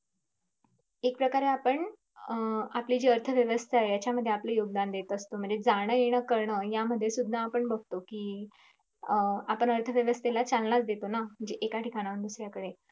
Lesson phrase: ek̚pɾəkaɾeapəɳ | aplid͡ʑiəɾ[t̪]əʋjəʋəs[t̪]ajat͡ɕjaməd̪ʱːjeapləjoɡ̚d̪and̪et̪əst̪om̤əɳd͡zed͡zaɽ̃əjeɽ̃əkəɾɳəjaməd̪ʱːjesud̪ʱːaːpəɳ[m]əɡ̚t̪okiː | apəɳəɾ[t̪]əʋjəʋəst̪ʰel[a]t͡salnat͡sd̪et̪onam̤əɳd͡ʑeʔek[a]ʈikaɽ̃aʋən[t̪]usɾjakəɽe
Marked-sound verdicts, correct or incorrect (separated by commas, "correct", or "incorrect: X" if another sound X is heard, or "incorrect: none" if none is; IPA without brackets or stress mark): incorrect: t̪ʰ, incorrect: t̪ʰ, incorrect: b, incorrect: t̪ʰ, correct, correct, incorrect: d̪